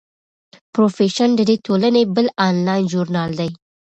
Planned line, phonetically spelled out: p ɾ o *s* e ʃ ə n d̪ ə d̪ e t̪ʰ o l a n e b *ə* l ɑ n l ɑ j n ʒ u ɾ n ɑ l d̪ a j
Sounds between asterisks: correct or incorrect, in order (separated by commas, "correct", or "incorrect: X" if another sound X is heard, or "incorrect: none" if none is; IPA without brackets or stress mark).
incorrect: f, correct